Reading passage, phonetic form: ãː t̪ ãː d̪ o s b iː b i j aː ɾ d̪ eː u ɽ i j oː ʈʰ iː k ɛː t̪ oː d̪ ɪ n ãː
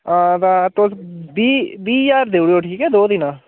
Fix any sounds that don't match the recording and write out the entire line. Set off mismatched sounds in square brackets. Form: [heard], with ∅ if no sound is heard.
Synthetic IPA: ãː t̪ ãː [t̪] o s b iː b [iː] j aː ɾ d̪ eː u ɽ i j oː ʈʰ iː k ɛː [d̪] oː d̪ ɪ n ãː